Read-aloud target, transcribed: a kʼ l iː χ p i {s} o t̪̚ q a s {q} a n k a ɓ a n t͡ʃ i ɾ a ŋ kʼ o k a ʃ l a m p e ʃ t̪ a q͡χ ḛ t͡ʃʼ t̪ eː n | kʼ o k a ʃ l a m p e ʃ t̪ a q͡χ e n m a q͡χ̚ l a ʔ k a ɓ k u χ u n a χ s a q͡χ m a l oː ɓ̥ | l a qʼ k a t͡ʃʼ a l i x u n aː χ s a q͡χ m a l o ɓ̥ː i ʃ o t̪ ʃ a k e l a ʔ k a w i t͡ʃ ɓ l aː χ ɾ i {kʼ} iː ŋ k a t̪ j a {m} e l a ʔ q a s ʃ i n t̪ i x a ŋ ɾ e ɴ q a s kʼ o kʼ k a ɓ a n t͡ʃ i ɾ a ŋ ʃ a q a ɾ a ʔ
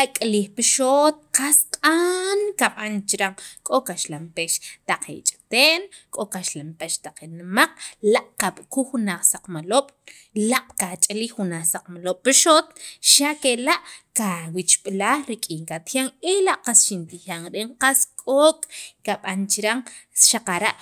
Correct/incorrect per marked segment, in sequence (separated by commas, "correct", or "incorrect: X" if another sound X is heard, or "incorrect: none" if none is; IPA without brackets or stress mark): incorrect: ʃ, incorrect: qʼ, correct, incorrect: ŋ